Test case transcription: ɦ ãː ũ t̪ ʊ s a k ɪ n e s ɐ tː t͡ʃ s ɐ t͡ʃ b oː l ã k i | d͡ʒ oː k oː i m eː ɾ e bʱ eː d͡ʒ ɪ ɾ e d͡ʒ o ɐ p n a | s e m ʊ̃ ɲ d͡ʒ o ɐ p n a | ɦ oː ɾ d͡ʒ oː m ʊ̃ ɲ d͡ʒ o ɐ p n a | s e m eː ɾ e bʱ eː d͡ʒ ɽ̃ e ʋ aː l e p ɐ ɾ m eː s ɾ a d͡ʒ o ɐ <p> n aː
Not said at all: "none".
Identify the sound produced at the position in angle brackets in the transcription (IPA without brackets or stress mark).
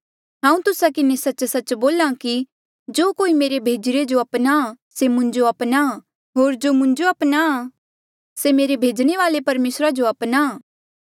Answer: p